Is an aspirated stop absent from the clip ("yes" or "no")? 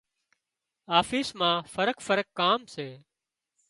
yes